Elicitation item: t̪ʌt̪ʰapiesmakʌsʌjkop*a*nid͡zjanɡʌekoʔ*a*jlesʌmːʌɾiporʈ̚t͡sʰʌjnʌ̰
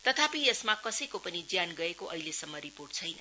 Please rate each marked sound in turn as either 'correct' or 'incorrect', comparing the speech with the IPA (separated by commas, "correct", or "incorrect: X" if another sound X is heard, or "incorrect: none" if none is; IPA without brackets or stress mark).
incorrect: ʌ, incorrect: ʌ